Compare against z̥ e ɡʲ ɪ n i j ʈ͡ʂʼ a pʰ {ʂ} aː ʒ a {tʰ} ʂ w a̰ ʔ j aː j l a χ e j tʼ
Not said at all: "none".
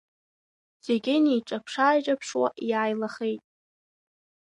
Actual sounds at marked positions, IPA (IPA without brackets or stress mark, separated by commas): ʂ, pʰ